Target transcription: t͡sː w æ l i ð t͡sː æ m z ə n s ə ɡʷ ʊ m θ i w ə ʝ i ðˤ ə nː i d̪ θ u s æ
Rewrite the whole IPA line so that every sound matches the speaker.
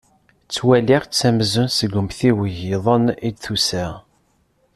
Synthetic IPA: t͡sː w æ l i ʁ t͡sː æ m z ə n s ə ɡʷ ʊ m θ i w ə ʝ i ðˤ ə n i d̪ θ u s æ